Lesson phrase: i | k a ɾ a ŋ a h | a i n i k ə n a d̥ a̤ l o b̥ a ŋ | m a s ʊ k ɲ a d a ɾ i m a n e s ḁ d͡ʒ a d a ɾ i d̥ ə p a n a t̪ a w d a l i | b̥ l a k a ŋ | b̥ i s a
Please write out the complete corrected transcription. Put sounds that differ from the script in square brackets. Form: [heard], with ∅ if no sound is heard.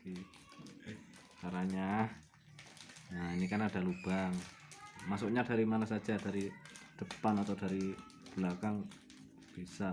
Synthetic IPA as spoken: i | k a ɾ a [ɲ] a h | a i n i k [a] n a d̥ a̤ l [u] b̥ a ŋ | m a s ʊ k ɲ a d a ɾ i m a n [a] s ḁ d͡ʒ a d a ɾ i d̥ ə p a n a t̪ a w d a [ɾ] i | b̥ l a k a ŋ | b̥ i s a